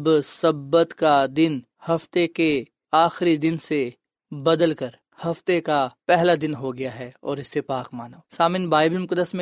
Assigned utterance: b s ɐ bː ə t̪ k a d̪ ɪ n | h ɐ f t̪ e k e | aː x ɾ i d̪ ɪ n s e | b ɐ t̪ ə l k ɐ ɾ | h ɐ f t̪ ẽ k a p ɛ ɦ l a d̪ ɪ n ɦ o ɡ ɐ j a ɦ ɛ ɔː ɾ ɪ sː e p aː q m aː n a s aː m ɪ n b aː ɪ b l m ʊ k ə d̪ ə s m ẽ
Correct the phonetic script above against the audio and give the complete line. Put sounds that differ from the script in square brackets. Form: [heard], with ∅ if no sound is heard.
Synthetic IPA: b s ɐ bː ə t̪ k a d̪ ɪ n | h ɐ f t̪ e k e | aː x ɾ i d̪ ɪ n s e | b ɐ [d̪] ə l k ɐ ɾ | h ɐ f t̪ [e] k a p ɛ ɦ l a d̪ ɪ n ɦ o ɡ ɐ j a ɦ ɛ ɔː ɾ ɪ sː e p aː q m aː n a s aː m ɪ n b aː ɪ b l m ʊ k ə d̪ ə s m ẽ